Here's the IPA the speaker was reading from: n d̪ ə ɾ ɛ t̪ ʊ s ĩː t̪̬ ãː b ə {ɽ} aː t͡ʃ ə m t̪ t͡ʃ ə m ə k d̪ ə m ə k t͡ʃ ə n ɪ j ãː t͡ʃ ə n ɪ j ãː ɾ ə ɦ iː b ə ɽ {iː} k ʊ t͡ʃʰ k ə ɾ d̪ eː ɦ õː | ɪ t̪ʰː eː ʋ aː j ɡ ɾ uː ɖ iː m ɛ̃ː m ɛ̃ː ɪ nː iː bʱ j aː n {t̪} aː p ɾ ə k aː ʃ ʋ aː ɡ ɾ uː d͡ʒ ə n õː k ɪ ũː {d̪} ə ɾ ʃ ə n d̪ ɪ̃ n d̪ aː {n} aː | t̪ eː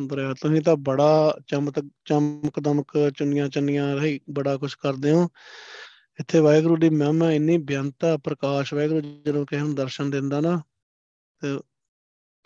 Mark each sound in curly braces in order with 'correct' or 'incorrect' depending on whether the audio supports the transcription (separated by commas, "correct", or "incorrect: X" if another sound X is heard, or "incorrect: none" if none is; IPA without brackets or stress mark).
correct, incorrect: aː, correct, correct, correct